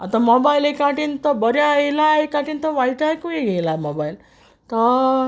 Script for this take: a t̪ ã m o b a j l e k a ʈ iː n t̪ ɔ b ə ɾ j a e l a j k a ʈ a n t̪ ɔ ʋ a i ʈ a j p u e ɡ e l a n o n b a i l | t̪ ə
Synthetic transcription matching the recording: a t̪ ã m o b a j l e k a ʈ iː n t̪ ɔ b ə ɾ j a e l a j k a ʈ i n t̪ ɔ ʋ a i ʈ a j k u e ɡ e l a m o b a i l | t̪ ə